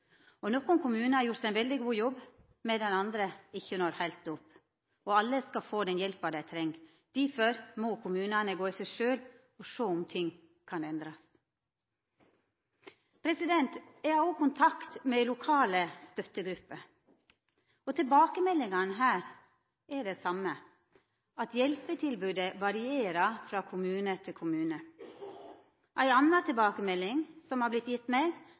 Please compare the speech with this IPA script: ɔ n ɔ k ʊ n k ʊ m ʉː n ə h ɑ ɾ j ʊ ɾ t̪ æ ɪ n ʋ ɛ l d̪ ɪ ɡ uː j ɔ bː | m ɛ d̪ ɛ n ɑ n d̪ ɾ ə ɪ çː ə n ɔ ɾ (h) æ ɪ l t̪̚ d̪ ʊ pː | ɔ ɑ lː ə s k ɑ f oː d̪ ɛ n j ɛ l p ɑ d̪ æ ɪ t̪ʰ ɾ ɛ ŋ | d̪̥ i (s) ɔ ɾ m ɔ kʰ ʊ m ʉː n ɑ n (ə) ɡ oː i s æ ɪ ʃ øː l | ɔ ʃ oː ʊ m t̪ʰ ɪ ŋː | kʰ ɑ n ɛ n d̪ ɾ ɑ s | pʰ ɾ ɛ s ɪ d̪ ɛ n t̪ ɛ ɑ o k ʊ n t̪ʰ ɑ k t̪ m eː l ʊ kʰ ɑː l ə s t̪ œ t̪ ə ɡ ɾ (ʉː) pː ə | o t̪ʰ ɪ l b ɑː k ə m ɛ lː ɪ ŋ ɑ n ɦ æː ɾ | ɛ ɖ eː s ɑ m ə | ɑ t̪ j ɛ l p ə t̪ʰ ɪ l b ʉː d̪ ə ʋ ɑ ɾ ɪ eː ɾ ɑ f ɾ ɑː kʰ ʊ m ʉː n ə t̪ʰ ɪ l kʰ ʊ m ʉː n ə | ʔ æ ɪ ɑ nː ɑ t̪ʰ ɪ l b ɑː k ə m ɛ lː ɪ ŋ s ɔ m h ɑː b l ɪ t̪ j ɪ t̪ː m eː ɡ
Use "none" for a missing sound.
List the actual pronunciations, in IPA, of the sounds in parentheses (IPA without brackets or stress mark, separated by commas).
h, f, ə, ʉ